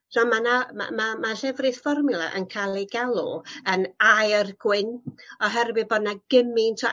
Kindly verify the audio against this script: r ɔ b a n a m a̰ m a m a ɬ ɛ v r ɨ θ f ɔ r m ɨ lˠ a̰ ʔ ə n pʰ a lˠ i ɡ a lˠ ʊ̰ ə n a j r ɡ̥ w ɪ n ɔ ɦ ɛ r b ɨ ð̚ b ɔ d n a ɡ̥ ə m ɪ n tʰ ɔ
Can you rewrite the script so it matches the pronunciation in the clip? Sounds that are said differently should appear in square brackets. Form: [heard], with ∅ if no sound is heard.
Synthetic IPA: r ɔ [m] a n a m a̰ m a m a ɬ ɛ v r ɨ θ f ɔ r m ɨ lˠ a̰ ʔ ə n [kʰ] a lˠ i ɡ a lˠ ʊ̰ ə n a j r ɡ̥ w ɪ n ɔ ɦ ɛ r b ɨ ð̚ b ɔ d n a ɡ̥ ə m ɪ n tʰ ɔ

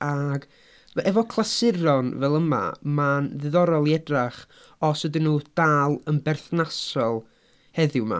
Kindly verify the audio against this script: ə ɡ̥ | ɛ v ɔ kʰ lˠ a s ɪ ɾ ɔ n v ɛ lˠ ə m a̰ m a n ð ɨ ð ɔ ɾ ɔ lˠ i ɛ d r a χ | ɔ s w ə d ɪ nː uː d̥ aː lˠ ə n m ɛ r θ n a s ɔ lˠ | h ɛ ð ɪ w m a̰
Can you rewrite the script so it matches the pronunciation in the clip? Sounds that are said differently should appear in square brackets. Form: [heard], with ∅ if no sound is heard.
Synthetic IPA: [a] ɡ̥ | ɛ v ɔ kʰ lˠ a s ɪ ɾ ɔ n v ɛ lˠ ə m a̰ m a n ð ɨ ð ɔ ɾ ɔ lˠ i ɛ d r a χ | ɔ s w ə d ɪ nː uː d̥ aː lˠ ə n [b] ɛ r θ n a s ɔ lˠ | h ɛ ð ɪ w m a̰

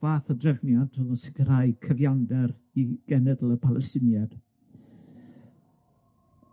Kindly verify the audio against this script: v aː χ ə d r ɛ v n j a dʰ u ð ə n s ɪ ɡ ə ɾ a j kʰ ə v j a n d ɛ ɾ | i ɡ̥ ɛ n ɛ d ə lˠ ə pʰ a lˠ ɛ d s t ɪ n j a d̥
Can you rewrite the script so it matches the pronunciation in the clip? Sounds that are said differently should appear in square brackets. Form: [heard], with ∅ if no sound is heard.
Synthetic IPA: v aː [θ] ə d r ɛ v n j a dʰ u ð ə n s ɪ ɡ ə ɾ a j kʰ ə v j a n d ɛ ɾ | i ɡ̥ ɛ n ɛ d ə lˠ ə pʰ a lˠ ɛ [∅] s t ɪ n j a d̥

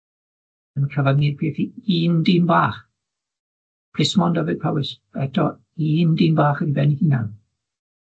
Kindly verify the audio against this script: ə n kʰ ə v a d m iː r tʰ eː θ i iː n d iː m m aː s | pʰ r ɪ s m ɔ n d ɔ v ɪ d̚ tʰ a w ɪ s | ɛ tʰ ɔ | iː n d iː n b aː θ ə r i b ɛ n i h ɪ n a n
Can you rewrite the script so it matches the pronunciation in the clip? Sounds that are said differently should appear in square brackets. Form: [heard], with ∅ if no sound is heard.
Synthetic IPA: ə n kʰ ə v a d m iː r [pʰ] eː θ i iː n d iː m [b] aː [χ] | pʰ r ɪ s m ɔ n d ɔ v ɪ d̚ [pʰ] a w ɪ s | ɛ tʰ ɔ | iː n d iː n b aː [χ] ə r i b ɛ n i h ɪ n a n

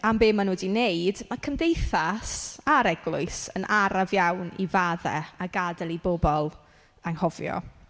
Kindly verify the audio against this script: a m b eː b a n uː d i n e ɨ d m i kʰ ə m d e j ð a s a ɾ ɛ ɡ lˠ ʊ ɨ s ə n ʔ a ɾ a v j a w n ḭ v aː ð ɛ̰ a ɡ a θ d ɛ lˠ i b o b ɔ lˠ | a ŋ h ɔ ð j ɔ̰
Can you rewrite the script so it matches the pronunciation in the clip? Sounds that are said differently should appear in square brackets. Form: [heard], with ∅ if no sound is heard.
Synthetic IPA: a m b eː [m] a n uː d i n e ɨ d m [a] kʰ ə m d e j [θ] a s a ɾ ɛ ɡ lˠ ʊ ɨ s ə n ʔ a ɾ a v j a w n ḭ v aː ð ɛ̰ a ɡ a [∅] d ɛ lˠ i b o b ɔ lˠ | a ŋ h ɔ [v] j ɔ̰

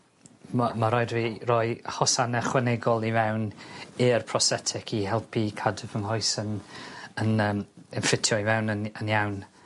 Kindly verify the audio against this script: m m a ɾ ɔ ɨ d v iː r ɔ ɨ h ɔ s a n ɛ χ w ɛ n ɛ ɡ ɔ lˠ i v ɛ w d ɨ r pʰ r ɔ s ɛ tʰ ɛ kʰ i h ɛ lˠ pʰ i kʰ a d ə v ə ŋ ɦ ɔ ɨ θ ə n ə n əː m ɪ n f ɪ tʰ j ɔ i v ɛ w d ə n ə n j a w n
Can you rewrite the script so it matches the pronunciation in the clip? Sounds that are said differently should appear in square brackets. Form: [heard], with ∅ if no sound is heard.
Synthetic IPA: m m a ɾ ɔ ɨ d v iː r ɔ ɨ h ɔ s a n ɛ χ w ɛ n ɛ ɡ ɔ lˠ i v ɛ w [n] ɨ r pʰ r ɔ s ɛ tʰ ɛ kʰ i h ɛ lˠ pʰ i kʰ a d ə v ə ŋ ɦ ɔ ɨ [s] ə n ə n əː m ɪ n f ɪ tʰ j ɔ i v ɛ w [n] ə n ə n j a w n

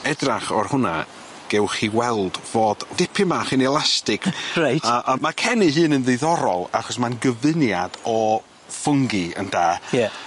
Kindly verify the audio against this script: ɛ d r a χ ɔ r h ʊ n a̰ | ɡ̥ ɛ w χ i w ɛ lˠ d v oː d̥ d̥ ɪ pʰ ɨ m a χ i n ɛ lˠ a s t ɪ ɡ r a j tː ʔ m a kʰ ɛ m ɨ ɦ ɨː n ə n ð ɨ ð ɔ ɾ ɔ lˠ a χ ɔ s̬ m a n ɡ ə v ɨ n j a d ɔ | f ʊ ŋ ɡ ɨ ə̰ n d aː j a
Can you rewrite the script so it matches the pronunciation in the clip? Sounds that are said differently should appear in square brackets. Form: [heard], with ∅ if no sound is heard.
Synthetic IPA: ɛ d r a χ ɔ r h ʊ n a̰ | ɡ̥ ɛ w χ i w ɛ lˠ d v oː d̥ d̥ ɪ pʰ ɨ m a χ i n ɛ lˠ a s t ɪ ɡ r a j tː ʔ m a kʰ ɛ [n] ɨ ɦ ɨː n ə n ð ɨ ð ɔ ɾ ɔ lˠ a χ ɔ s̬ m a n ɡ ə v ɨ n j a d ɔ | f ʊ ŋ ɡ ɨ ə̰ n d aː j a

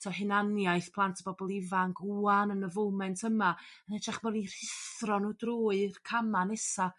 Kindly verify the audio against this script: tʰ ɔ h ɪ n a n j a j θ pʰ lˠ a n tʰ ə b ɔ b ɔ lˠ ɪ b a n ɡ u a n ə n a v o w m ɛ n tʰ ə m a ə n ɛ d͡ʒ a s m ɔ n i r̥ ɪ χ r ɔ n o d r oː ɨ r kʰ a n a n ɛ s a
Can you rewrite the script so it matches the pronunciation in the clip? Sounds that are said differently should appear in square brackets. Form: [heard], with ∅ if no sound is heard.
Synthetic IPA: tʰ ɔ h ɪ n a n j a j θ pʰ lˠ a n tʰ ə b ɔ b ɔ lˠ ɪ [v] a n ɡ u a n ə n [ə] v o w m ɛ n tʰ ə m a ə n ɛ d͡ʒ a [χ] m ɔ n i r̥ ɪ [θ] r ɔ n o d r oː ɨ r kʰ a [m] a n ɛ s a

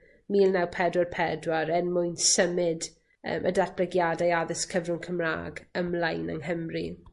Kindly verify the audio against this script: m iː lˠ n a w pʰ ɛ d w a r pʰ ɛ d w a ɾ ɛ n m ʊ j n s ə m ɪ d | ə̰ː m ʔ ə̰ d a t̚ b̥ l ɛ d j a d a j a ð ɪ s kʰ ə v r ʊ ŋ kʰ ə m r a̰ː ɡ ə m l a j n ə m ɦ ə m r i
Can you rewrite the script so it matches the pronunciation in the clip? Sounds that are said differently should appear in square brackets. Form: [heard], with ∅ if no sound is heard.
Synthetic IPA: m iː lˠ n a w pʰ ɛ d w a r pʰ ɛ d w a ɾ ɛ n m ʊ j n s ə m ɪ d | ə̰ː m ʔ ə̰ d a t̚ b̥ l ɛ [ɡ] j a d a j a ð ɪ s kʰ ə v r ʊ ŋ kʰ ə m r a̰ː ɡ ə m l a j n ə [ŋ] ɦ ə m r i

